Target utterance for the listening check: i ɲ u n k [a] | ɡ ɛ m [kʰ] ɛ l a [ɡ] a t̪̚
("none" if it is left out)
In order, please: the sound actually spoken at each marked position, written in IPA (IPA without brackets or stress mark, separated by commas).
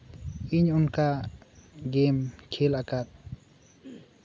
a, kʰ, k